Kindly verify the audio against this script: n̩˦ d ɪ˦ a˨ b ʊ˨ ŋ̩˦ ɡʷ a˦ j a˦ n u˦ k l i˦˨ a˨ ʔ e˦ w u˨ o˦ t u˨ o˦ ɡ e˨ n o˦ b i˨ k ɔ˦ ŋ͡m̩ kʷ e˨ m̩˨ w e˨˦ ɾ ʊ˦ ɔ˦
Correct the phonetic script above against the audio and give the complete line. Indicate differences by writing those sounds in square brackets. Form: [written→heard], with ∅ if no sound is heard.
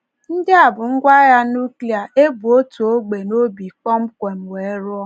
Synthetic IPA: n̩˦ d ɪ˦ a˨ b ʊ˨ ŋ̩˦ ɡʷ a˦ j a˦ n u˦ k l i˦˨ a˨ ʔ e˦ [w→b] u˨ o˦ t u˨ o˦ [ɡ→ɡ͡b] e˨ n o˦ b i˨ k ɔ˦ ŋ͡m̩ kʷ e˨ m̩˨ w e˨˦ ɾ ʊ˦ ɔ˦